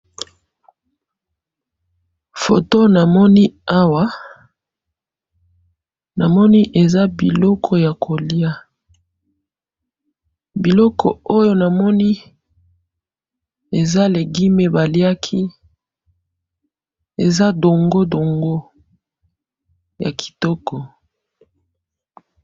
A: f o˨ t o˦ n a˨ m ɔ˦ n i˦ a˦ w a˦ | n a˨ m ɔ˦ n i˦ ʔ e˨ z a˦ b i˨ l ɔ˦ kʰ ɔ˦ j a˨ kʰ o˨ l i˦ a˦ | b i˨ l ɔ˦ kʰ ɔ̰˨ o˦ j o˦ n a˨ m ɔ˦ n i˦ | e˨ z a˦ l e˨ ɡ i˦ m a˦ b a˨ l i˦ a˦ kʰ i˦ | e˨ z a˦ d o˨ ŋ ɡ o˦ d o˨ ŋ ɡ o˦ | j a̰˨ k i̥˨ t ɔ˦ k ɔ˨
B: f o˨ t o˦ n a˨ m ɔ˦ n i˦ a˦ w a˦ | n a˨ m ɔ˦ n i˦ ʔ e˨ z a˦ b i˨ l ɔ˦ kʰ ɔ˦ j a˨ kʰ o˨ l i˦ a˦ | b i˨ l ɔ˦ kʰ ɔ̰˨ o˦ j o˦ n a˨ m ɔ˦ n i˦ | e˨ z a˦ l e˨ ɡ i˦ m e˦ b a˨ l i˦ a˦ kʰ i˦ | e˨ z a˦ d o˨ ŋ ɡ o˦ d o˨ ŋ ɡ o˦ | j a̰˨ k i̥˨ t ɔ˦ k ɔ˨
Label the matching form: B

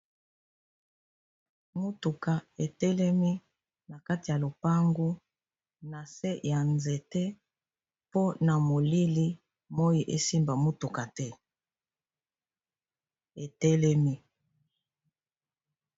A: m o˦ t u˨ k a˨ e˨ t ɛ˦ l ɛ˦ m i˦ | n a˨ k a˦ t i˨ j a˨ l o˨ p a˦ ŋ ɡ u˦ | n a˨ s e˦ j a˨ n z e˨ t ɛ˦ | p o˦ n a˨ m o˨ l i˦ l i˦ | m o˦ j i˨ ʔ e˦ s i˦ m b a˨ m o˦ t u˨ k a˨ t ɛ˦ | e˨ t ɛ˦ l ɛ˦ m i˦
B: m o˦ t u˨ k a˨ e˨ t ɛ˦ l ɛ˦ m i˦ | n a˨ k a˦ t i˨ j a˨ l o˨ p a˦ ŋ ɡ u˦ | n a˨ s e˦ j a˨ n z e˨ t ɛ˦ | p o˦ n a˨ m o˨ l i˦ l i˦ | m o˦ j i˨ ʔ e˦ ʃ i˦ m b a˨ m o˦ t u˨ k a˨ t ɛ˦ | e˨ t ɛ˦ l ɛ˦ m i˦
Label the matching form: A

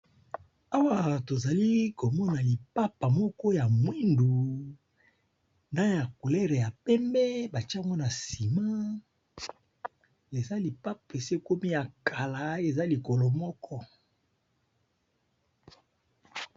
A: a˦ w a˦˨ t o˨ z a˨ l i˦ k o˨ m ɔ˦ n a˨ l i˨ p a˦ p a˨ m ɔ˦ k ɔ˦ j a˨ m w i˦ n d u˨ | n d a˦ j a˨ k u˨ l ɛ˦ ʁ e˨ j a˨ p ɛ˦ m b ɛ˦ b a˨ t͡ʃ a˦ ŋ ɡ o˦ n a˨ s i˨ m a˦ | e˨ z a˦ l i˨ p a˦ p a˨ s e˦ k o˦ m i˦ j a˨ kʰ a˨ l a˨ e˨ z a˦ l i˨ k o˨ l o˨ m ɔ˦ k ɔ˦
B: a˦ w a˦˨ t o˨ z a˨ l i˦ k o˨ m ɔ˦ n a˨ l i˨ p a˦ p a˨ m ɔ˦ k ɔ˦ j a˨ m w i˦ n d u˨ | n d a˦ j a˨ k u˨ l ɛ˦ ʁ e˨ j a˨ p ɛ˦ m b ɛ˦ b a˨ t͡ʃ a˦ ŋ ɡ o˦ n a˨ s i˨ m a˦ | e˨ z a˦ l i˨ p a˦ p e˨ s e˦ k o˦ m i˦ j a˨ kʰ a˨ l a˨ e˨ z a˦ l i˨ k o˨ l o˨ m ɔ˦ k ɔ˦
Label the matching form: B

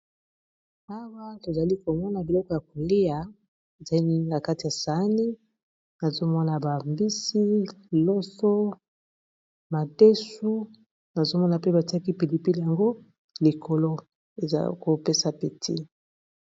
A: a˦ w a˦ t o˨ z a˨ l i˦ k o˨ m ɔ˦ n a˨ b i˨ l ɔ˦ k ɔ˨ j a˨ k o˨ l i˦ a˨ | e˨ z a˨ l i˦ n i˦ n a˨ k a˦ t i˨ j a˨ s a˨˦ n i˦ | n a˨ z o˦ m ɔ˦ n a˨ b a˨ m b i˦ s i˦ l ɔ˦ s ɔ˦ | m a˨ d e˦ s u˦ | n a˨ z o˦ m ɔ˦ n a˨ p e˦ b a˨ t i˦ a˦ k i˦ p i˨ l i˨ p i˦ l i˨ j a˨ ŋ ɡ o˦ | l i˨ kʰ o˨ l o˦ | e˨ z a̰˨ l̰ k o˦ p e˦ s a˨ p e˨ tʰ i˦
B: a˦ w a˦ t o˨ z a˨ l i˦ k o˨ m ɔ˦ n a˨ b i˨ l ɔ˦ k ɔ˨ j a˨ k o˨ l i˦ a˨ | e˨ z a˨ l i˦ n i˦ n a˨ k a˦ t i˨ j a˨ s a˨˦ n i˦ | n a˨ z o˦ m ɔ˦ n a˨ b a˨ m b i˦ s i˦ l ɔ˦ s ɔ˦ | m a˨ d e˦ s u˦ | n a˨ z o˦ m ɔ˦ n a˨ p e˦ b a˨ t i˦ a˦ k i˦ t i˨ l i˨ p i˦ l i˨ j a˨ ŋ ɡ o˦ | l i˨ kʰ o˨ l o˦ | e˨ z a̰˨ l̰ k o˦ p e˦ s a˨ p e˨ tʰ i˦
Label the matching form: A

